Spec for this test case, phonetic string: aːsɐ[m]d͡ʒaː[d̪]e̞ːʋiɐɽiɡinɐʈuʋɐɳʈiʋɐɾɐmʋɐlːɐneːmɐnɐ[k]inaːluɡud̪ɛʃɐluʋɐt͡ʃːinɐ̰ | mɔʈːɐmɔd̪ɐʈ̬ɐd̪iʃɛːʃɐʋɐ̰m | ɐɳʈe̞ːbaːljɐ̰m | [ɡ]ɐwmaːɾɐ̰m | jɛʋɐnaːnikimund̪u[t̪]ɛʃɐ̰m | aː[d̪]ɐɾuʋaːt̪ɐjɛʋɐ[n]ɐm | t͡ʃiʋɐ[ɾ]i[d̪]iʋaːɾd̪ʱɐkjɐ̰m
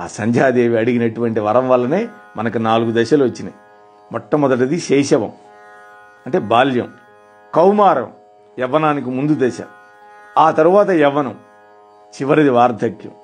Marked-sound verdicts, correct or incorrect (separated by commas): incorrect, correct, correct, incorrect, incorrect, incorrect, correct, correct, correct